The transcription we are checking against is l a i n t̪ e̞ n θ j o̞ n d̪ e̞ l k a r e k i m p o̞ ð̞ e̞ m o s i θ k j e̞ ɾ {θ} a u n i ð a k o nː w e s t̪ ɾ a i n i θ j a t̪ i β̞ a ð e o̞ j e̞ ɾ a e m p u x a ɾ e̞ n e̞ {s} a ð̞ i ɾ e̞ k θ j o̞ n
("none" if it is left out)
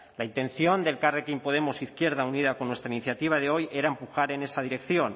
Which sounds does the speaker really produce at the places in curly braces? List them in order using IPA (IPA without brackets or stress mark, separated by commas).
ð, s